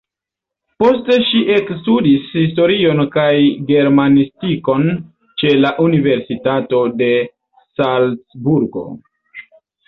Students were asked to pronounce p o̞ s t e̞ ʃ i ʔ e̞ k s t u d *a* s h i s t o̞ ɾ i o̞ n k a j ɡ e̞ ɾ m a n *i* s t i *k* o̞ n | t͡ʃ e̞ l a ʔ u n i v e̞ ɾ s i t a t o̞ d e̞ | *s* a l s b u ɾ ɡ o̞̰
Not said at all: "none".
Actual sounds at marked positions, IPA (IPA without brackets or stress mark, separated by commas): i, i, k, s